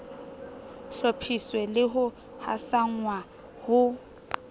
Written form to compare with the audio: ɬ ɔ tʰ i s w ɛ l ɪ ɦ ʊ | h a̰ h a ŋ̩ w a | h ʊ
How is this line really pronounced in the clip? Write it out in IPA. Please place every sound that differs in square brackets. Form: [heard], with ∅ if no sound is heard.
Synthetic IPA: ɬ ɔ [pʰ] i s w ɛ l ɪ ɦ ʊ | h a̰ [s] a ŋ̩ w a | h ʊ